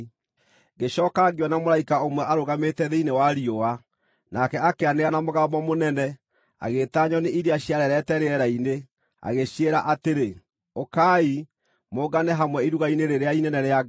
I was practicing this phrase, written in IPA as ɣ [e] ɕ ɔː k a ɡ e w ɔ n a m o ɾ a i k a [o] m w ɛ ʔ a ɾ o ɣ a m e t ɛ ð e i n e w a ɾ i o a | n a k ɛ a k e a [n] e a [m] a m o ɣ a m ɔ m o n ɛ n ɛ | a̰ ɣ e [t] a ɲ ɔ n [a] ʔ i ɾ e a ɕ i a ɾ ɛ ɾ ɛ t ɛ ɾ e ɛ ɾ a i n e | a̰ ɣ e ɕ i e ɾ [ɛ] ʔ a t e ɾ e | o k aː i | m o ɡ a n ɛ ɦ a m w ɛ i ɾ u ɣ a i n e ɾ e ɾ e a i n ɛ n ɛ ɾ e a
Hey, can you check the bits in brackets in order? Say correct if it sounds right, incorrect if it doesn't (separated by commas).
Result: correct, correct, correct, incorrect, correct, incorrect, incorrect